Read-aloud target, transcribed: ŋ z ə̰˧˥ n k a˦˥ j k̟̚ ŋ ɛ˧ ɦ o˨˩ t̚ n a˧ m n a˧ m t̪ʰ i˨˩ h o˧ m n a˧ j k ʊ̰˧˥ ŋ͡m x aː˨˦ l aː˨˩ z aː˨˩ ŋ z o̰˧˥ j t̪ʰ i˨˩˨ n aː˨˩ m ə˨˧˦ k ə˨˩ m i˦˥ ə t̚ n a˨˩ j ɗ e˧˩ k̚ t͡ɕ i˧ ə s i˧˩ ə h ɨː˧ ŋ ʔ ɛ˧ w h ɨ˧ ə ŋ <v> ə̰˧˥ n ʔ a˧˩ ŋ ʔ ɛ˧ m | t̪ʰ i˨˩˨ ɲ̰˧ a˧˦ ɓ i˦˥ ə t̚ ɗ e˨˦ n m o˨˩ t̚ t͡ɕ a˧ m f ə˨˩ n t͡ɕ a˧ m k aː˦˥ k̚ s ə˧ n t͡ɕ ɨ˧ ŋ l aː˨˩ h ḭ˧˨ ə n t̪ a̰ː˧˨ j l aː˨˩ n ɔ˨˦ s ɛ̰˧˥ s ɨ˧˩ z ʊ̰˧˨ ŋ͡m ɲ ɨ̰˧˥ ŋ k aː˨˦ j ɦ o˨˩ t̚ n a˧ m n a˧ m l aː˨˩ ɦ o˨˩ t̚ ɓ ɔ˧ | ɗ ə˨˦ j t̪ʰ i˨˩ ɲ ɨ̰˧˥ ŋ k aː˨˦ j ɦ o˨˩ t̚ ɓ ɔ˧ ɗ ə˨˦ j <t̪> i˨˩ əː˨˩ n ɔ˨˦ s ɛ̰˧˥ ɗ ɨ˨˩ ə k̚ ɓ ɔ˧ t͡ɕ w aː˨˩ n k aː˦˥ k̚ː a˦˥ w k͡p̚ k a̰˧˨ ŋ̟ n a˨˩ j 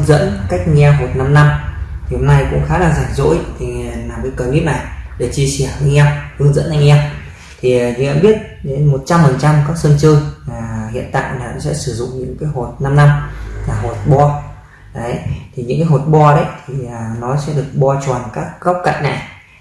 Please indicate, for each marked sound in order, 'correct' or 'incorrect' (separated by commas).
incorrect, incorrect